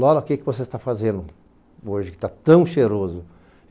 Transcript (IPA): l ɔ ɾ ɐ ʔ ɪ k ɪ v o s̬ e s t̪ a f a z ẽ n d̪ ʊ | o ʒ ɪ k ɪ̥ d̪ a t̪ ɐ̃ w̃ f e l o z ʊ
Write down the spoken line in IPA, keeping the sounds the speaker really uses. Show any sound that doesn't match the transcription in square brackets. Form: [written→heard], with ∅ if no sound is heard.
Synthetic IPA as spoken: l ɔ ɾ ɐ [ʔ→k] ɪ k ɪ v o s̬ e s t̪ a f a z ẽ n d̪ ʊ | o ʒ ɪ k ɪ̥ [d̪→t̪] a t̪ ɐ̃ w̃ [f→ʃ] e [l→ɾ] o z ʊ